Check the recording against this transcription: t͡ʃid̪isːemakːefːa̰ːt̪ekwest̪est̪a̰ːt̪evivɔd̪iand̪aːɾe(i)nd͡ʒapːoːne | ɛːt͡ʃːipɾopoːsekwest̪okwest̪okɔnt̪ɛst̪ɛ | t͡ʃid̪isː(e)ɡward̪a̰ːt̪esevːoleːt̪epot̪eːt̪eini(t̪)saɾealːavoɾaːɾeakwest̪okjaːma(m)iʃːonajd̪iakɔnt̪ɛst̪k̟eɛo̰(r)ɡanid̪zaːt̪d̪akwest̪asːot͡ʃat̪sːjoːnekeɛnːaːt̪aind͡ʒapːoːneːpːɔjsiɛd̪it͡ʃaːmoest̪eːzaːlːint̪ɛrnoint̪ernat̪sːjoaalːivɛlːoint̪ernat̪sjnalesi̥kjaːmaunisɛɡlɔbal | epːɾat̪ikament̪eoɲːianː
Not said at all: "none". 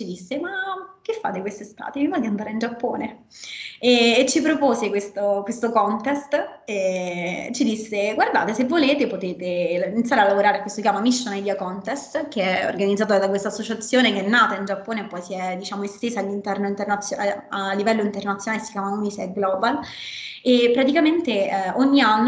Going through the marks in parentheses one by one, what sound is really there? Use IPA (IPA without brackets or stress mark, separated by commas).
i, e, t̪, m, r